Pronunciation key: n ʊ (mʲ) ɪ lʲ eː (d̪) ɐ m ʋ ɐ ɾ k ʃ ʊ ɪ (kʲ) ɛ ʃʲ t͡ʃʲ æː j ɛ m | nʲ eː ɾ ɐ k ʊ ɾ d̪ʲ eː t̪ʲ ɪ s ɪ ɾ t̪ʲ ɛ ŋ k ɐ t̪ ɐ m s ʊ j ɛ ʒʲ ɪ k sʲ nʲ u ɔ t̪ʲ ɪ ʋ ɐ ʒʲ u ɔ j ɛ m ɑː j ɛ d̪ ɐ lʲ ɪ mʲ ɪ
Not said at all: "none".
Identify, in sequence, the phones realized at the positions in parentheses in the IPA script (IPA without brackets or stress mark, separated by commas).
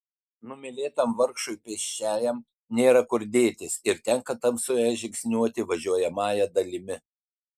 mʲ, t̪, pʲ